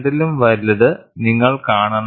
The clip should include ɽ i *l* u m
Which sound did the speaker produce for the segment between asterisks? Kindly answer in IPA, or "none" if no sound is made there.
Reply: l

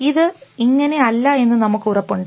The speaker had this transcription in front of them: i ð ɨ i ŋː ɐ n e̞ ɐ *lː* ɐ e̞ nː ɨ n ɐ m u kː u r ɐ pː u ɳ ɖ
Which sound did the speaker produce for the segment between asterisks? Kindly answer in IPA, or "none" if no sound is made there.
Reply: lː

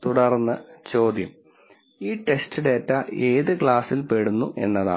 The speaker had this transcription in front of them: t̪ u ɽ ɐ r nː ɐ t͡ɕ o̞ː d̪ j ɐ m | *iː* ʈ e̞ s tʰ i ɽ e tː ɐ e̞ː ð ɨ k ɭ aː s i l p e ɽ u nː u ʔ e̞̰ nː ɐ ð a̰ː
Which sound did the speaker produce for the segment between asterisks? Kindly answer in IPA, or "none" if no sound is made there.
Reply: iː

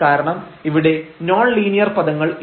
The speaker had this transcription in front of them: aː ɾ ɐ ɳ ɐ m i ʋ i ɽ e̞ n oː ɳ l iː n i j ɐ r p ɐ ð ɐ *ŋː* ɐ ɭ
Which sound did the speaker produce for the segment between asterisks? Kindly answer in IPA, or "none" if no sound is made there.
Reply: ŋː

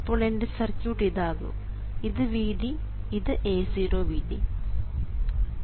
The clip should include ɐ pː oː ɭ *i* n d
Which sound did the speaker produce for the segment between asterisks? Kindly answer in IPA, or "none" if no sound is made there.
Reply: e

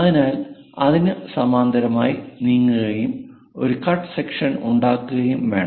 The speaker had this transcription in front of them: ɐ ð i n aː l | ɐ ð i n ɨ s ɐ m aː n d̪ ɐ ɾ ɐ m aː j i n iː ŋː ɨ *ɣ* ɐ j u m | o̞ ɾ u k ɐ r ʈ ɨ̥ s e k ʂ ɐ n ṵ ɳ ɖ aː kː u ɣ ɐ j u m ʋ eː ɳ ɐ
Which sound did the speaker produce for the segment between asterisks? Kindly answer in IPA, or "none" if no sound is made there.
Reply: ɣ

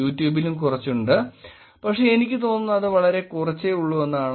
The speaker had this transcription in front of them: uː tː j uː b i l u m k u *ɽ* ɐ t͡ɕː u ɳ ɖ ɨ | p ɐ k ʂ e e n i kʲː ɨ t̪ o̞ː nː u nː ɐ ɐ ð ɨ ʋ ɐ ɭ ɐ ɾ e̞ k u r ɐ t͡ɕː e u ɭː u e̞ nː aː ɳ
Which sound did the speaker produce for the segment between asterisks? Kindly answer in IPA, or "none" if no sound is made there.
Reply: r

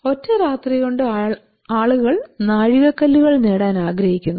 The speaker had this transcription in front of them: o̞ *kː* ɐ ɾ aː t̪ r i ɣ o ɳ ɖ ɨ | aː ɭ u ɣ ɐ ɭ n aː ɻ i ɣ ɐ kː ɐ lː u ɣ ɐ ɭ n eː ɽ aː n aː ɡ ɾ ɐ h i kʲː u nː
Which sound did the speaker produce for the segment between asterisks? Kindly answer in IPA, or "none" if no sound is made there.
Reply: tː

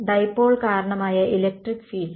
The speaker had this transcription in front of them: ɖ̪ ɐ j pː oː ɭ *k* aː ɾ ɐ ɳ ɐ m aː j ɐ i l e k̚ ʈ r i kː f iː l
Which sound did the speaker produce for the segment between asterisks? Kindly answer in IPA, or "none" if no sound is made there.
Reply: k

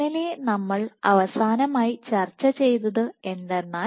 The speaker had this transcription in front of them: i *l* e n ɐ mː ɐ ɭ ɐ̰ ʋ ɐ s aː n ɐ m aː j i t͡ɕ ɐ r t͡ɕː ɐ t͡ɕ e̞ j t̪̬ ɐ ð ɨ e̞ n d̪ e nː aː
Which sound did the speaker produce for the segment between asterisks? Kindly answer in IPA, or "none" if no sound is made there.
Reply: l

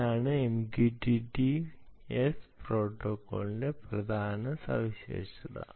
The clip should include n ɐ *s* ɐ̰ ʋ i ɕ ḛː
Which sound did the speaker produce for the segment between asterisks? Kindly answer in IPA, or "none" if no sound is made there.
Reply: s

